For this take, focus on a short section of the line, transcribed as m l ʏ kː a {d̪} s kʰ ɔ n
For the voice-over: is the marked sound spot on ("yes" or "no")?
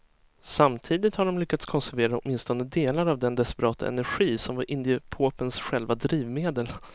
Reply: no